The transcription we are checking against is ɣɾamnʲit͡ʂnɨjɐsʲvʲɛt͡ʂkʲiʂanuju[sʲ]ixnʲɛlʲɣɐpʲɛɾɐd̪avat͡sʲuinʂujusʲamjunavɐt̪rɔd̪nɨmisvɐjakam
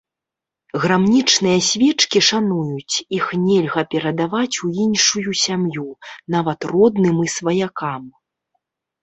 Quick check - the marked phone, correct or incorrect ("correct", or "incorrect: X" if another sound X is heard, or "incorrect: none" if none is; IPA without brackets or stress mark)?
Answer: incorrect: t͡sʲ